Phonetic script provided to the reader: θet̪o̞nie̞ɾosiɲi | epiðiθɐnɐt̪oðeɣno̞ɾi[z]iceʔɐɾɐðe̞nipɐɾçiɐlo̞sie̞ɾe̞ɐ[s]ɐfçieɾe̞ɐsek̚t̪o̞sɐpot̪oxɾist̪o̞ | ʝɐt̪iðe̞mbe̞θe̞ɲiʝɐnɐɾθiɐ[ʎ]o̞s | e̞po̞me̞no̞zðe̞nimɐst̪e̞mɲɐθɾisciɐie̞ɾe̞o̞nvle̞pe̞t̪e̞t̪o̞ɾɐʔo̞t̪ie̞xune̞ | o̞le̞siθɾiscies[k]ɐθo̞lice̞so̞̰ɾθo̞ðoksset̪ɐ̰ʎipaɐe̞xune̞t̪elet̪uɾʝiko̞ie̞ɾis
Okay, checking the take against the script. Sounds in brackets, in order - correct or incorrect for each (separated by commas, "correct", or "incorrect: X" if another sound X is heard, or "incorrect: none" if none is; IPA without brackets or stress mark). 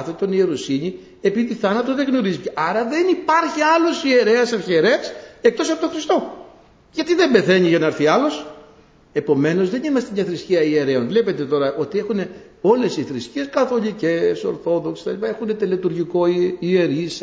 correct, correct, incorrect: l, correct